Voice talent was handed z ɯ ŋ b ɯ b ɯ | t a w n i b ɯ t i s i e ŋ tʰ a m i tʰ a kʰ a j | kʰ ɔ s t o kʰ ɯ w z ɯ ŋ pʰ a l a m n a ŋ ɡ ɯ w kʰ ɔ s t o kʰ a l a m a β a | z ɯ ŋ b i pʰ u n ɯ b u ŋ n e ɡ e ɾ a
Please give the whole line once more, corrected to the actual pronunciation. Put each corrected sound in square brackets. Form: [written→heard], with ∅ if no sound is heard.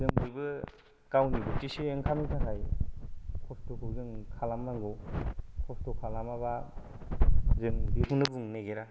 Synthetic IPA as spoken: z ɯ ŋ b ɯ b ɯ | [t→k] a w n i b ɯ t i s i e ŋ [tʰ→kʰ] a m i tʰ a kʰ a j | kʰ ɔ s t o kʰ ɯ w z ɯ ŋ [pʰ→kʰ] a l a m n a ŋ ɡ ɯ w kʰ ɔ s t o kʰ a l a m a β a | z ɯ ŋ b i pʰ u n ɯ b u ŋ n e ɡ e ɾ a